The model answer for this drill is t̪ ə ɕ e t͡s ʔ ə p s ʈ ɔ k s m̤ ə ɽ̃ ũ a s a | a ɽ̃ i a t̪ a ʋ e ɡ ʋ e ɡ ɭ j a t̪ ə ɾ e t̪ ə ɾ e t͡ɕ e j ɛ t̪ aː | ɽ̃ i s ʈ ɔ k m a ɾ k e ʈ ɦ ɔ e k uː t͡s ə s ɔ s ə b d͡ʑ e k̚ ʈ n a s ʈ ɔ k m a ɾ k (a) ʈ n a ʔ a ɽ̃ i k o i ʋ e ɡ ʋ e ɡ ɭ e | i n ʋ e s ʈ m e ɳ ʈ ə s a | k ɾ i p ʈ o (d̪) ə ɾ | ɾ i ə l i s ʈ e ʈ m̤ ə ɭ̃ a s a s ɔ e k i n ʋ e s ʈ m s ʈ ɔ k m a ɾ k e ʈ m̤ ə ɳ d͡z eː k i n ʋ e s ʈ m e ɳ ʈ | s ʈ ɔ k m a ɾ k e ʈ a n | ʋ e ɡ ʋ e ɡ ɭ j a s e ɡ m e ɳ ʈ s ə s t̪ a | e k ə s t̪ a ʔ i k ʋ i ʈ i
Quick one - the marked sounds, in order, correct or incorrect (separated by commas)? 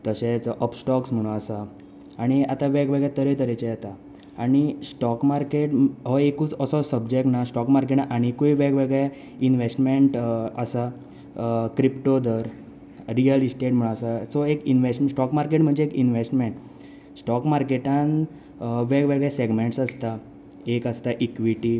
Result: incorrect, correct